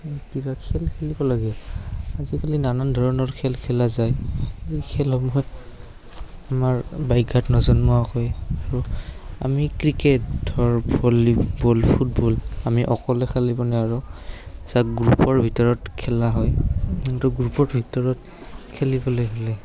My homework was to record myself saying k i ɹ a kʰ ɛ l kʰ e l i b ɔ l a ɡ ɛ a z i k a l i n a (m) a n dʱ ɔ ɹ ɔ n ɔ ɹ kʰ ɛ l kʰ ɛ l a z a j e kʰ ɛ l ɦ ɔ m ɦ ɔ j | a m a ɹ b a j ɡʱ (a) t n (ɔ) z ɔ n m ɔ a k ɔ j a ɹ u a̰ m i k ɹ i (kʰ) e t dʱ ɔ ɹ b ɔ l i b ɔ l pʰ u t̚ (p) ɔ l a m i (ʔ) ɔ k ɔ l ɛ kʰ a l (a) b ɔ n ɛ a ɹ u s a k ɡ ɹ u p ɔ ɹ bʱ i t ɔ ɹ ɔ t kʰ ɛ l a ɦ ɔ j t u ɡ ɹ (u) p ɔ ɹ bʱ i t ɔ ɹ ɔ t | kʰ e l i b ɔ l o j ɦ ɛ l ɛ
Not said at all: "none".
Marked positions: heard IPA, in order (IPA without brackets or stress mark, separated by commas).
n, a, ɔ, k, b, ʔ, i, u